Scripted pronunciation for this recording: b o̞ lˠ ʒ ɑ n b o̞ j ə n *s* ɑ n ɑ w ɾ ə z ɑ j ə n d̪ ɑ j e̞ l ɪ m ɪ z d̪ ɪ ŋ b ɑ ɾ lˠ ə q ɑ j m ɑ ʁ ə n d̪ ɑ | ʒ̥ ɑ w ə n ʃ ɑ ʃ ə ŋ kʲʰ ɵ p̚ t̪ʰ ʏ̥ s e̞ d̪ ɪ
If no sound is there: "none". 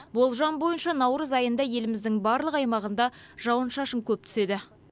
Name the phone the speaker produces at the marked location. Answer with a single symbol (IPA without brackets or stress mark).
ʃ